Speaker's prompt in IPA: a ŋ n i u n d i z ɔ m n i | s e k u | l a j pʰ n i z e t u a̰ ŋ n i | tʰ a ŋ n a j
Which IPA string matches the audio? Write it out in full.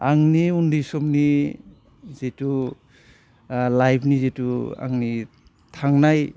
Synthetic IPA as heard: a ŋ n i u n d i s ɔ m n i | z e t u | l a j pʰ n i z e t u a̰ ŋ n i | tʰ a ŋ n a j

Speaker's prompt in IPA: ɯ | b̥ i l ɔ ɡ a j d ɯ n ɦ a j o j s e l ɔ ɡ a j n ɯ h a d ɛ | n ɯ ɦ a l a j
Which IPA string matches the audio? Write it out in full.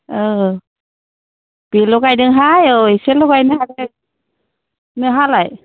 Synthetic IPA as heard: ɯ | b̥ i l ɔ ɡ a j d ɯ ŋ ɦ a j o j s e l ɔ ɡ a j n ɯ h a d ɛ | n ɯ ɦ a l a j

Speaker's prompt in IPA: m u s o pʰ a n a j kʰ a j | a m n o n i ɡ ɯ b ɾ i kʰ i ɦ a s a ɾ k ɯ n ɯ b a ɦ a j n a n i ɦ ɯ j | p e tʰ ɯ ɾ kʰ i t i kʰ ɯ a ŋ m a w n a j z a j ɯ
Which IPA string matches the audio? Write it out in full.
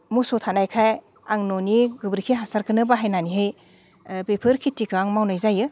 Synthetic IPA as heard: m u s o tʰ a n a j kʰ a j | a ŋ n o n i ɡ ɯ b ɾ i kʰ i ɦ a s a ɾ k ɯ n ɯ b a ɦ a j n a n i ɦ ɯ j | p e pʰ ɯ ɾ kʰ i t i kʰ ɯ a ŋ m a w n a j z a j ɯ

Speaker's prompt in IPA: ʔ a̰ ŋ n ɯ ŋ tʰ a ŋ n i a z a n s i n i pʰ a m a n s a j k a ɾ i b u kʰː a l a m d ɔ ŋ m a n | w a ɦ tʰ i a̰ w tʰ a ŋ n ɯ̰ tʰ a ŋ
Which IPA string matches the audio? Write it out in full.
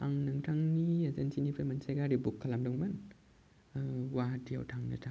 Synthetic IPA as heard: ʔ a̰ ŋ n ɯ ŋ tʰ a ŋ n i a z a n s i n i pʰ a m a n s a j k a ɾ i b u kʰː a l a m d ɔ ŋ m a n | w a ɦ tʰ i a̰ w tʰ a ŋ n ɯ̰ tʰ a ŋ

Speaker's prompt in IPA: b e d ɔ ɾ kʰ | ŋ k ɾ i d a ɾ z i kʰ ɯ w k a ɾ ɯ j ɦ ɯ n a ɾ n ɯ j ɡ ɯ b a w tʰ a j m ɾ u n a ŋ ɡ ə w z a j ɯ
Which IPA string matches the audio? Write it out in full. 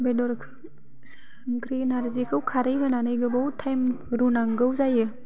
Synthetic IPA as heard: b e d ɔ ɾ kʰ | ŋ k ɾ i n a ɾ z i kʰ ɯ w kʰ a ɾ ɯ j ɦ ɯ n a n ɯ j ɡ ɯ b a w tʰ a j m ɾ u n a ŋ ɡ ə w z a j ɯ

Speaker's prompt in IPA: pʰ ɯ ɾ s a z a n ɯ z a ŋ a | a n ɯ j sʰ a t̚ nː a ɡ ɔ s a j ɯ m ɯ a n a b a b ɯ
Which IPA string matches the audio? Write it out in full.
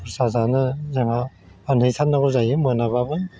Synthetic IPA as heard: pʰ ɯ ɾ s a z a n ɯ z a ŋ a | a n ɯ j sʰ a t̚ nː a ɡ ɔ z a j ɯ m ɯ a n a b a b ɯ

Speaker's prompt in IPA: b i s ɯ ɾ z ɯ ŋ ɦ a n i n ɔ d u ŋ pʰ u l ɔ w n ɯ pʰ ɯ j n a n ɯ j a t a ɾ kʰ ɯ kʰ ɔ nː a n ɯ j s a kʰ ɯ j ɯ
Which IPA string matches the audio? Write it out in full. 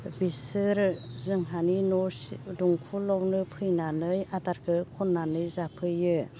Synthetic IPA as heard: b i s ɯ ɾ z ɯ ŋ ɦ a n i n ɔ d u ŋ kʰ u l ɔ w n ɯ pʰ ɯ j n a n ɯ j a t a ɾ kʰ ɯ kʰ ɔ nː a n ɯ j z a pʰ ɯ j ɯ

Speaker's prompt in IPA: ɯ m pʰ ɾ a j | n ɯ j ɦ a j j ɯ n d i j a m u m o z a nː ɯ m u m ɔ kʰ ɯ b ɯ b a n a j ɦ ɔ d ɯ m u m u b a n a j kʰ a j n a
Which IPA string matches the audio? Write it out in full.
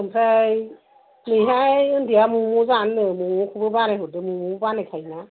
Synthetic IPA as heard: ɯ m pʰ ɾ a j | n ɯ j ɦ a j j ɯ n d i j a m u m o z a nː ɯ m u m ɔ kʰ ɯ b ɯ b a n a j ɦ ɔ d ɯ m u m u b a n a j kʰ a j n a

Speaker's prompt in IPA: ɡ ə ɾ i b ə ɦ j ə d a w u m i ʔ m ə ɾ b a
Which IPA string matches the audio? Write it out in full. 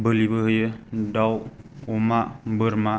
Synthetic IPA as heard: b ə l i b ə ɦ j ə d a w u m a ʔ b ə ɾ m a

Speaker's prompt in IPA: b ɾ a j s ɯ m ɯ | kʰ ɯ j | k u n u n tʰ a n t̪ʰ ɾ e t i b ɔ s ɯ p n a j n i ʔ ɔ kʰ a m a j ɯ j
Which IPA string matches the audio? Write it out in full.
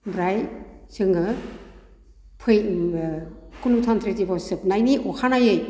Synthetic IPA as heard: b ɾ a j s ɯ ŋ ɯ | pʰ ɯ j | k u n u tʰ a n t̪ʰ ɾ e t i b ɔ s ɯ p n a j n i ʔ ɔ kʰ a n a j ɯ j

